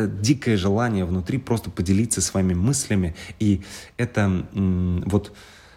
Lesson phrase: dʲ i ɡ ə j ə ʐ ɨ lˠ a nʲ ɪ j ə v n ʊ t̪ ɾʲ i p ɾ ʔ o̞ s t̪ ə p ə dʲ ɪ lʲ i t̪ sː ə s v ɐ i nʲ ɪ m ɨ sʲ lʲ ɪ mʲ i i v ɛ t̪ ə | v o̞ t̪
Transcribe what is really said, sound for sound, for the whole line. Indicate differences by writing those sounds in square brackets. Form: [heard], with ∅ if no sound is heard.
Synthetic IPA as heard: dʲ i [k] ə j ə ʐ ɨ lˠ a nʲ ɪ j ə v n ʊ t̪ ɾʲ i p ɾ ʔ o̞ s t̪ ə p ə dʲ ɪ lʲ i t̪ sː ə s v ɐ i [mʲ] ɪ m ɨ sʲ lʲ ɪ mʲ [ɪ] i [∅] ɛ t̪ ə | v o̞ t̪